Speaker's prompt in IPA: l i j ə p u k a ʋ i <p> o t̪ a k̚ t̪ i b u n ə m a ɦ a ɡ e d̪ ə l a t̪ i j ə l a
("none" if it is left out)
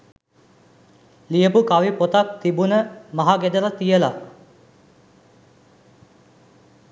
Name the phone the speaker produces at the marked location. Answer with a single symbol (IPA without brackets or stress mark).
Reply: p